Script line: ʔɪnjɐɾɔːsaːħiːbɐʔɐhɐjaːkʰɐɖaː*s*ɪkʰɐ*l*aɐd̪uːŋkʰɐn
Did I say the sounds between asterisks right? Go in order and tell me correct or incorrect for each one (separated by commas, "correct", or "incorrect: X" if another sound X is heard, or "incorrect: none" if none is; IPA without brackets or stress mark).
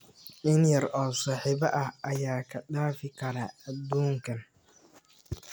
incorrect: f, incorrect: ɾ